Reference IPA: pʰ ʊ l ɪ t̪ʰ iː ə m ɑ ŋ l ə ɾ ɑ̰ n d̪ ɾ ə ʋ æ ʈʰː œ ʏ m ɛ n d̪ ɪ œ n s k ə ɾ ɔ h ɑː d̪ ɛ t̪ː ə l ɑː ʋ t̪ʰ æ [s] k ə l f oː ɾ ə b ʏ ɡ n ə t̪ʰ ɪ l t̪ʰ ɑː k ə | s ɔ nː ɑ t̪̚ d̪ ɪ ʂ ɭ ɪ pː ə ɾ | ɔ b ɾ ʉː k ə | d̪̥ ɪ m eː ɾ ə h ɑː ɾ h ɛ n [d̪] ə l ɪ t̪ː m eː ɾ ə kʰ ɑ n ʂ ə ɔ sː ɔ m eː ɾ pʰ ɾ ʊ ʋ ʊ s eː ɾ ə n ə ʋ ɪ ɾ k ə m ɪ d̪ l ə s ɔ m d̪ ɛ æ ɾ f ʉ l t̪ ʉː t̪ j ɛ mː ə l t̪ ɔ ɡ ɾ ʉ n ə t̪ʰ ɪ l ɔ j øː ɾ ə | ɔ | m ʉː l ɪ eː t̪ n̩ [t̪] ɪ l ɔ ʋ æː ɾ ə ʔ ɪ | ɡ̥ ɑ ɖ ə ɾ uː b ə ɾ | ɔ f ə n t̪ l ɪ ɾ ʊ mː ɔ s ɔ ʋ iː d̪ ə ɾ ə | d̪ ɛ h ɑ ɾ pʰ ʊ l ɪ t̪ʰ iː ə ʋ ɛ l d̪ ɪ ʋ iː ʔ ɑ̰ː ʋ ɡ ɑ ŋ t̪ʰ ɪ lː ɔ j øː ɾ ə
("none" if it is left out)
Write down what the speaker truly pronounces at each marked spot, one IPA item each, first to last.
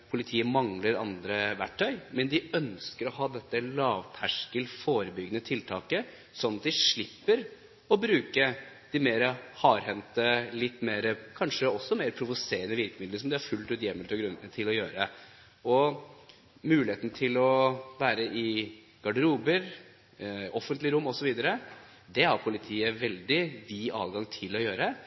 ʂ, t̪, t̪ʰ

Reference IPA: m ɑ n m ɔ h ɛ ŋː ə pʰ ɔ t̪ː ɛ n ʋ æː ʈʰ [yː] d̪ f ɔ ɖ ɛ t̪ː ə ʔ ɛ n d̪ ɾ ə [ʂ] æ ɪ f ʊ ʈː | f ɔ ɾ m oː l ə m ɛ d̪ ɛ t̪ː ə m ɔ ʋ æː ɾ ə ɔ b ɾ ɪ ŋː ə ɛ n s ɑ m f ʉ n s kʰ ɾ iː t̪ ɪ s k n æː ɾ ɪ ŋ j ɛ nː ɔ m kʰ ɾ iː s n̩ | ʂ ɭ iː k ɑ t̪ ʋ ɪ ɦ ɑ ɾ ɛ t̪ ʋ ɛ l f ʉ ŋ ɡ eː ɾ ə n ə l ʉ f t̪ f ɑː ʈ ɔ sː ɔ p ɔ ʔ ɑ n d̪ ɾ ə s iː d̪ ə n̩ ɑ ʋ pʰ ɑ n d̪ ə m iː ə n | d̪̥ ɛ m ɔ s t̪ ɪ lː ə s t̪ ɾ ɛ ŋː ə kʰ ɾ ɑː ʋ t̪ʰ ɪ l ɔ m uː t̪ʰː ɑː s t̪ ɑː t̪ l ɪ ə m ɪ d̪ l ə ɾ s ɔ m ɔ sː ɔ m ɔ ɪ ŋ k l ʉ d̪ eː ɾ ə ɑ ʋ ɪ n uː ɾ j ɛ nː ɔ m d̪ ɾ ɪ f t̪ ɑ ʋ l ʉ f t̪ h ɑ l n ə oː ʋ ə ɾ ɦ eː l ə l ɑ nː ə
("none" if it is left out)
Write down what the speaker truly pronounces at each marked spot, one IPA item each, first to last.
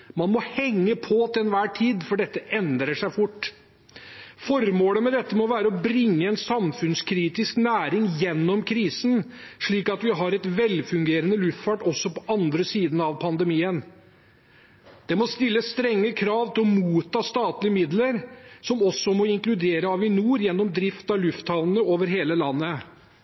iː, ʂ

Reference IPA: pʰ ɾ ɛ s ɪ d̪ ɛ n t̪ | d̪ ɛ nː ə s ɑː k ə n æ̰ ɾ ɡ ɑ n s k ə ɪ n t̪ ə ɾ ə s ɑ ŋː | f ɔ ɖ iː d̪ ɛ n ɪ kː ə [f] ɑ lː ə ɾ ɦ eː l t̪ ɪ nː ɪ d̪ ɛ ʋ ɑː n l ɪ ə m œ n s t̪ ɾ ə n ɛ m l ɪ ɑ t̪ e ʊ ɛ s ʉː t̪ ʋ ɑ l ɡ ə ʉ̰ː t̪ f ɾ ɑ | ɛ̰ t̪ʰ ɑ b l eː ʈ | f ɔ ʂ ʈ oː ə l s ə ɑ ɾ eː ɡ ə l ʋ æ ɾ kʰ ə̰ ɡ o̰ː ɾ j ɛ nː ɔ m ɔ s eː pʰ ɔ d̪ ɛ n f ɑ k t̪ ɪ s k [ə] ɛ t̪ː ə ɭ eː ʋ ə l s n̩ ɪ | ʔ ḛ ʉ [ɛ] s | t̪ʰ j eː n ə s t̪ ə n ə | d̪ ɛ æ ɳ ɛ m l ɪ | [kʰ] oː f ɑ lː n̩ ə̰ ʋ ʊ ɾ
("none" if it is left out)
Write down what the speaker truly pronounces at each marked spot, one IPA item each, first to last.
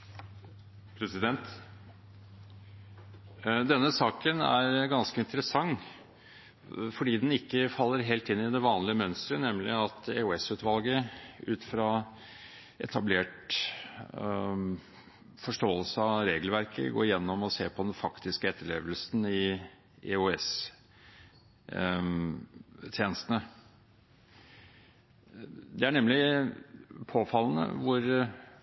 f, ə, ɛ, pʰ

